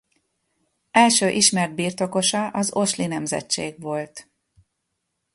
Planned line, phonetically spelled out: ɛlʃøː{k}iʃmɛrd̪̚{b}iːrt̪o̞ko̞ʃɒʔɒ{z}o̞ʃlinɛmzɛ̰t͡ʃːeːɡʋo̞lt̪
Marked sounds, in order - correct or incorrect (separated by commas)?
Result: incorrect, correct, correct